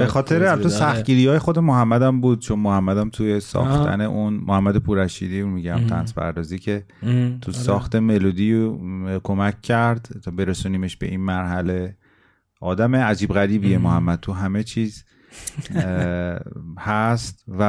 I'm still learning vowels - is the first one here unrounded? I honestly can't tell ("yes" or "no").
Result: yes